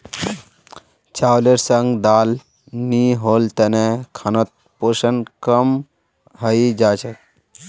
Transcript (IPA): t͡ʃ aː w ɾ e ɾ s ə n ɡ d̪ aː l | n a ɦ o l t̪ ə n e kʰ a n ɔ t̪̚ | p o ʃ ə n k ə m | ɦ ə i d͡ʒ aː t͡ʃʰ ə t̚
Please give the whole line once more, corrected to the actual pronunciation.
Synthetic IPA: t͡ʃ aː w l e ɾ s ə ŋ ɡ d̪ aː l | n i ɦ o l t̪ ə n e kʰ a n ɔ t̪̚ | p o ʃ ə n k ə m | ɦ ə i d͡ʒ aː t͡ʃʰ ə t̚